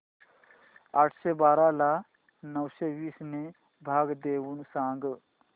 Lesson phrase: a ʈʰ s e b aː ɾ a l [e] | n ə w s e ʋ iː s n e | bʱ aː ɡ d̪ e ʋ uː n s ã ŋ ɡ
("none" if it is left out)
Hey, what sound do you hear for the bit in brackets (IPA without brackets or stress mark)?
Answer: a